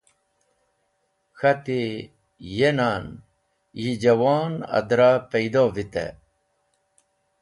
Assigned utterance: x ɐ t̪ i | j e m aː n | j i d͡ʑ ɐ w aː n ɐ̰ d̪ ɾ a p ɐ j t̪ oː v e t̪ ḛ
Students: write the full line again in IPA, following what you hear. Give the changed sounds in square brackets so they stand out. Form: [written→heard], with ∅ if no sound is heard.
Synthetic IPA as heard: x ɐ t̪ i | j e [m→n] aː n | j i d͡ʑ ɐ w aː n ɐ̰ d̪ ɾ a p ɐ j [t̪→d̪] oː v [e→i] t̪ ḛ